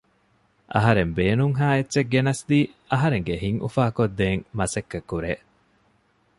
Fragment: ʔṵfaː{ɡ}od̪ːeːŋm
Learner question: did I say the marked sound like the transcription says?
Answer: no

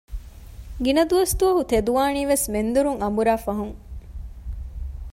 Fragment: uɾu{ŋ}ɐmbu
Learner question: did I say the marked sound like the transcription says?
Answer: yes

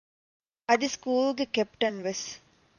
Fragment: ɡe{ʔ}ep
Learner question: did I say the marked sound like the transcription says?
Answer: no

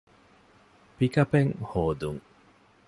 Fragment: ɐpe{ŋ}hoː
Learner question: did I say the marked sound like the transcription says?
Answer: yes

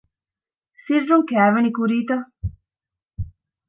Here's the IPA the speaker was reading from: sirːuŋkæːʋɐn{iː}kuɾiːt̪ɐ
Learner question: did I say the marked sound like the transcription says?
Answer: no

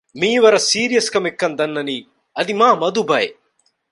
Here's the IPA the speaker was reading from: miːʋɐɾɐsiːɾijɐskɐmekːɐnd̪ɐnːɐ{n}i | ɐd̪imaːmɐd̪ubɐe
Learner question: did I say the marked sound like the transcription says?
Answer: yes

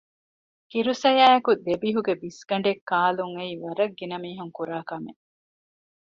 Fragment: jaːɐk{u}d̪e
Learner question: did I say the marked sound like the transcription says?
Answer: yes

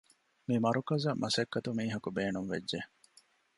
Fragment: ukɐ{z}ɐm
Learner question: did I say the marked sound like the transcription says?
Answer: yes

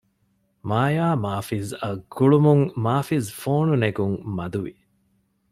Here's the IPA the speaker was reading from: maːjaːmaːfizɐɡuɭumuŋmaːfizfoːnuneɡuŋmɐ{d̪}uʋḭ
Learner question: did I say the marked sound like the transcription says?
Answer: yes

